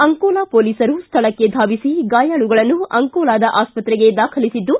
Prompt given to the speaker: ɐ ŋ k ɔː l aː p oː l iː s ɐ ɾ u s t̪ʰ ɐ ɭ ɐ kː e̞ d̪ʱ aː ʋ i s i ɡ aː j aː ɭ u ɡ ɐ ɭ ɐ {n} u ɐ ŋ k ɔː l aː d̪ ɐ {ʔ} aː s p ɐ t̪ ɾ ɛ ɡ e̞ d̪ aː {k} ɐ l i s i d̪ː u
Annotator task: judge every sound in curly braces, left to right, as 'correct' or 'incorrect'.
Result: incorrect, correct, incorrect

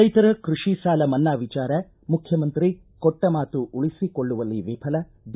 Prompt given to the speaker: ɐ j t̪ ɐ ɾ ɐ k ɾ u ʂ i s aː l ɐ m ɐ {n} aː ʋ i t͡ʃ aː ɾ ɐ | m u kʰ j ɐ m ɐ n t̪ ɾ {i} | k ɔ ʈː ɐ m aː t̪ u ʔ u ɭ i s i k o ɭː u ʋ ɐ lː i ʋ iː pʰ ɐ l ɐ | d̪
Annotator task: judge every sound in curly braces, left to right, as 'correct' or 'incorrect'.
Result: incorrect, correct

